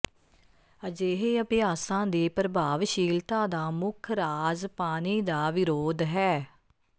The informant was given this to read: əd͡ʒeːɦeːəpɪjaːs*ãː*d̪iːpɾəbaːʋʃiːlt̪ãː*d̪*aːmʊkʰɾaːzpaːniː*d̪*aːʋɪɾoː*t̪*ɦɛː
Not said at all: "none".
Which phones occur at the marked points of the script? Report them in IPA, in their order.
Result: ãː, d̪, d̪, d̪

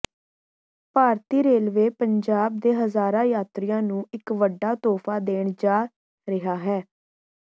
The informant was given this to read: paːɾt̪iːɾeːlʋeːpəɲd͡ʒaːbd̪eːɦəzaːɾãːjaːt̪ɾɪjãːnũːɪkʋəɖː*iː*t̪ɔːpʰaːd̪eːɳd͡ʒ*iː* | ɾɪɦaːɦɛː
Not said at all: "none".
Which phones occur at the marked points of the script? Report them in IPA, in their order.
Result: aː, aː

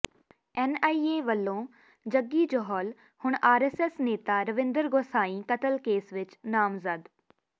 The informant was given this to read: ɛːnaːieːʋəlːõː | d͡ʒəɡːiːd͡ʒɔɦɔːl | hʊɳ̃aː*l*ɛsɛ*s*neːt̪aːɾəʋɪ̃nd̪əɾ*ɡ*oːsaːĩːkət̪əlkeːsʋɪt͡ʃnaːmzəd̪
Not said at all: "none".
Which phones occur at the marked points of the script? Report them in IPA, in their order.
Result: ɾ, s, ɡ

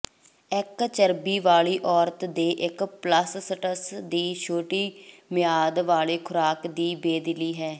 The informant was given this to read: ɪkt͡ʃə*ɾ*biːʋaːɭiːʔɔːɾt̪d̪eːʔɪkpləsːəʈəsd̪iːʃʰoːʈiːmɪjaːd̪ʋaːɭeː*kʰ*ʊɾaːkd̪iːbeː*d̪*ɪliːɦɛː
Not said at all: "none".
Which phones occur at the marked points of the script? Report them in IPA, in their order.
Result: ɾ, kʰ, d̪

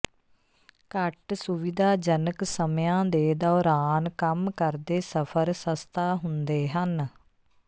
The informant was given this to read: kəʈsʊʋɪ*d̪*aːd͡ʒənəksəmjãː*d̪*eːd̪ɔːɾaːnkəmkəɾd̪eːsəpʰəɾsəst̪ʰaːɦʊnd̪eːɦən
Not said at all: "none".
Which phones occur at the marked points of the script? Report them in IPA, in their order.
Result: d̪, d̪

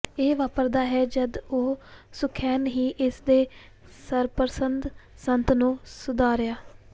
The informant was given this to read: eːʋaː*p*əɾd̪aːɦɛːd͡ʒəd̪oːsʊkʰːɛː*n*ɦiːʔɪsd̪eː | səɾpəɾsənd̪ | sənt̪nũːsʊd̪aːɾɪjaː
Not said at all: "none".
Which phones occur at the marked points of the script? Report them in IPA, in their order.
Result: p, n

